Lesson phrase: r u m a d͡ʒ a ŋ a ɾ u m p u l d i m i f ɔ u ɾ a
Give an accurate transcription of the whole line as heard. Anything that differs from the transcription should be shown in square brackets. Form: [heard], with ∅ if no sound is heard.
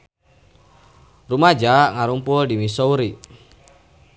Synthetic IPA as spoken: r u m a d͡ʒ a ŋ a ɾ u m p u l d i m i [s] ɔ u ɾ [i]